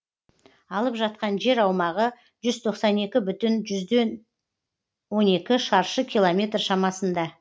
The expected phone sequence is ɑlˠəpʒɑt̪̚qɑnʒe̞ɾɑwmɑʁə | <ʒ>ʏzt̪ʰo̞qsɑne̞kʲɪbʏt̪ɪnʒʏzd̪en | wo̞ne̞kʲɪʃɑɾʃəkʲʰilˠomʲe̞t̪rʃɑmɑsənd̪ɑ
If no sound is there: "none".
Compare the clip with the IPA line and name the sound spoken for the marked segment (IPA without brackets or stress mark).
ʒ